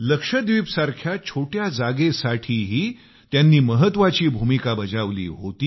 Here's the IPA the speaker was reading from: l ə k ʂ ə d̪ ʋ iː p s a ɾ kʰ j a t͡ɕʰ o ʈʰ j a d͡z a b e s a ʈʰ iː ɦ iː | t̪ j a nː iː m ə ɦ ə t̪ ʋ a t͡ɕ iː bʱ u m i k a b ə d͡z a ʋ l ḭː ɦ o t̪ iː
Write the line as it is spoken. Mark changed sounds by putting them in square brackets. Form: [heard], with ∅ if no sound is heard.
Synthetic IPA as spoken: l ə k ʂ ə d̪ ʋ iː p s a ɾ kʰ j a t͡ɕʰ o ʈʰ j a d͡z a [ɡ] e s a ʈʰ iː ɦ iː | t̪ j a nː iː m ə ɦ ə t̪ ʋ a t͡ɕ iː bʱ u m i k a b ə d͡z a ʋ l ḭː ɦ o t̪ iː